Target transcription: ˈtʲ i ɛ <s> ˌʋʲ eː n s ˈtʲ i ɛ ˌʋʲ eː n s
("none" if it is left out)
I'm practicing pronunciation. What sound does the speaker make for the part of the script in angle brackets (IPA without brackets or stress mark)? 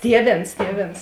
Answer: none